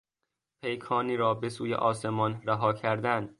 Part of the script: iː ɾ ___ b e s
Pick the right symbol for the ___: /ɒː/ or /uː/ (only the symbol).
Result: ɒː